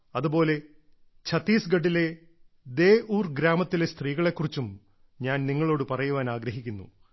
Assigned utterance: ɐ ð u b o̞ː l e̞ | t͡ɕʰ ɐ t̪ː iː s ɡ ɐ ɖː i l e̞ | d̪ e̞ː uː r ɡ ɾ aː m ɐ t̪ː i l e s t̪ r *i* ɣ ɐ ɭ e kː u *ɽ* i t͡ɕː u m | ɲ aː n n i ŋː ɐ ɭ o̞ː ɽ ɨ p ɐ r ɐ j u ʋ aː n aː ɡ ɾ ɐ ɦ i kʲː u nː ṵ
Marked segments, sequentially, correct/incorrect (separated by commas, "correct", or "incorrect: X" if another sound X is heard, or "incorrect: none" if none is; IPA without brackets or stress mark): incorrect: iː, incorrect: r